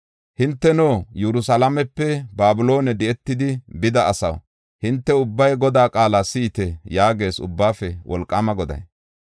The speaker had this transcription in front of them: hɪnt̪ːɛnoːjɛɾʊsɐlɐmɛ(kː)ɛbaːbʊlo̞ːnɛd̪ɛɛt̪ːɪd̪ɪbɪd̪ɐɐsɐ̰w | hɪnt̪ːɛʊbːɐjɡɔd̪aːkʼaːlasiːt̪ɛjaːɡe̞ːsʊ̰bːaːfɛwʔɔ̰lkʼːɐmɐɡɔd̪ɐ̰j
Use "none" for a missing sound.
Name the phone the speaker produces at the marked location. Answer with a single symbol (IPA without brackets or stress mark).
pː